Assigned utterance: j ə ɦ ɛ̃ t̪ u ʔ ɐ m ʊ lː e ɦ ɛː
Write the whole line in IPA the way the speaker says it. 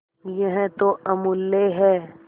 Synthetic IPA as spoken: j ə ɦ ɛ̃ t̪ o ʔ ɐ m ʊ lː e ɦ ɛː